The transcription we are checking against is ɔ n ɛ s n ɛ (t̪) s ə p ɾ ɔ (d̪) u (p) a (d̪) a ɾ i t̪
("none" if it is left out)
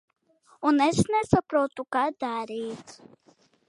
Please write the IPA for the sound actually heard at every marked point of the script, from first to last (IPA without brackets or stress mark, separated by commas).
none, t̪, k, d̪